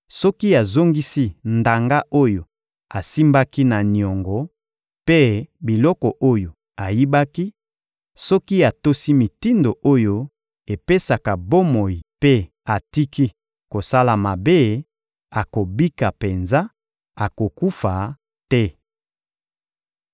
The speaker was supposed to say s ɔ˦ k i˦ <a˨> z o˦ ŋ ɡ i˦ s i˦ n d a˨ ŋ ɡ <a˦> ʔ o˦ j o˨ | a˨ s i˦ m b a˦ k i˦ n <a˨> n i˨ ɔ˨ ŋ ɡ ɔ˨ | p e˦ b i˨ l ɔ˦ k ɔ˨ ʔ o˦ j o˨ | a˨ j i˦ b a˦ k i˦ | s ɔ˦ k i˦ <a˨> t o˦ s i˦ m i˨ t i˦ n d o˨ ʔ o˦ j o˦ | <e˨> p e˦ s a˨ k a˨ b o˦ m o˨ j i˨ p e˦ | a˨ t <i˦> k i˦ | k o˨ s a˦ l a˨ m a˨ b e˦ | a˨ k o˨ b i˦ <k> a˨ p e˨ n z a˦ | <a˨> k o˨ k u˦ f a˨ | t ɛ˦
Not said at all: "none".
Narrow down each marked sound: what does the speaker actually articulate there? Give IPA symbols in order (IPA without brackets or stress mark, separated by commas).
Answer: a˨, a˦, a˨, a˨, e˨, i˦, k, a˨